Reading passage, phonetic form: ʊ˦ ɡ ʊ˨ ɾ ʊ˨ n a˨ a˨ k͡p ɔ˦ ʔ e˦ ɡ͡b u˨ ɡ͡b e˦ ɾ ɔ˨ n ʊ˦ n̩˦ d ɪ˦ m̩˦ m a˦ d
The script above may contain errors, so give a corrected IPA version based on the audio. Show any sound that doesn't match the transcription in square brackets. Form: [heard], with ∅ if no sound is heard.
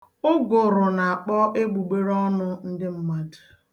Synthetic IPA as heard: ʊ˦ ɡ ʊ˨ ɾ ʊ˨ n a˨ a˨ k͡p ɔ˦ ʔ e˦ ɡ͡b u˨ ɡ͡b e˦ ɾ [ɔ˦] n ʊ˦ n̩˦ d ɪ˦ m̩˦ m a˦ d

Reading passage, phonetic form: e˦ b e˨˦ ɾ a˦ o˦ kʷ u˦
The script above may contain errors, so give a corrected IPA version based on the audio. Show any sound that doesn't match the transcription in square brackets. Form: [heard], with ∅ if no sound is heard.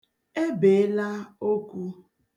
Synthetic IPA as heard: e˦ b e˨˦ [l] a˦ o˦ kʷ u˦

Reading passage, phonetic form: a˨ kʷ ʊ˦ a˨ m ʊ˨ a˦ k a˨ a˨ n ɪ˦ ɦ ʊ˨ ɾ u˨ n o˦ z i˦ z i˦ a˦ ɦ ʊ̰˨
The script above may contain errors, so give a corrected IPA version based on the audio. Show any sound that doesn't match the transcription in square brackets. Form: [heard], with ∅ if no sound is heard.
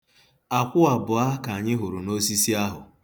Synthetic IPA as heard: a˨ kʷ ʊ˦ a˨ [b] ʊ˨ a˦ k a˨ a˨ [ɲ] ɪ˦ ɦ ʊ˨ ɾ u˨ n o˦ [s] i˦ [s] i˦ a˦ ɦ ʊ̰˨

